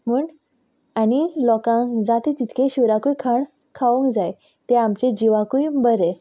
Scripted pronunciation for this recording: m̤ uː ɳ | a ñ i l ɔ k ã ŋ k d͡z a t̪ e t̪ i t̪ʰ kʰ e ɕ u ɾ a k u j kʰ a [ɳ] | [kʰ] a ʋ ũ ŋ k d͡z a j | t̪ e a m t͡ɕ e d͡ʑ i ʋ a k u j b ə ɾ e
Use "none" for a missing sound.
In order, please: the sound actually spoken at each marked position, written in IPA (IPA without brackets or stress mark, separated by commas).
ɳ, kʰ